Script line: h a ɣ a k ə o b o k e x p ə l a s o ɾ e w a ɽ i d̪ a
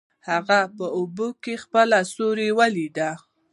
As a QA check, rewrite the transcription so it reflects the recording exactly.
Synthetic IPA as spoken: h a ɣ a p ə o b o k e x p ə l a s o ɾ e w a l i d̪ a